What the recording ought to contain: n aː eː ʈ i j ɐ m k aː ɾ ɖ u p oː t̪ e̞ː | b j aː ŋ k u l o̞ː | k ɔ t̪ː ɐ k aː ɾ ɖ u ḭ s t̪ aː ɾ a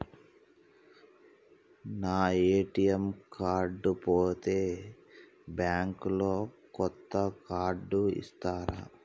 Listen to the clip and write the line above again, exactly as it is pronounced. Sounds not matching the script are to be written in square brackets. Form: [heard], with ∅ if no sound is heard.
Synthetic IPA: n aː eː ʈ i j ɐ m k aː ɾ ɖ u p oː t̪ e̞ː | b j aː ŋ k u l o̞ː | k ɔ t̪ː ɐ k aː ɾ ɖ u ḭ s t̪ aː ɾ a